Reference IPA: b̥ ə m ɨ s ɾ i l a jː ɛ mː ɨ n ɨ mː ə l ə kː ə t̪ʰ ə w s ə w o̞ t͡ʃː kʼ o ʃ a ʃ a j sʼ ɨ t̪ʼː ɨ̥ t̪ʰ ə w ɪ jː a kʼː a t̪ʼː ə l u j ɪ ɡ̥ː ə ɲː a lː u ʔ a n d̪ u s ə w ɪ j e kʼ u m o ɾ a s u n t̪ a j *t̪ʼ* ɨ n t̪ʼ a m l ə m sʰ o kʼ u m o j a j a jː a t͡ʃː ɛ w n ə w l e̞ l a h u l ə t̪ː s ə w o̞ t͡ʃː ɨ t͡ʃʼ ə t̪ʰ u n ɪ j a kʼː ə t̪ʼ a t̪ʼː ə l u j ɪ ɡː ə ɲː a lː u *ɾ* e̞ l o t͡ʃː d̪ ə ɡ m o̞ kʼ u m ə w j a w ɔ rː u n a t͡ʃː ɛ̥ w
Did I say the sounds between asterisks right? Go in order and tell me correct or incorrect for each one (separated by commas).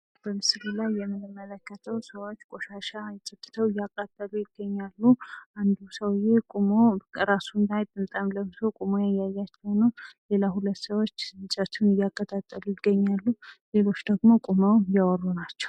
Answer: correct, incorrect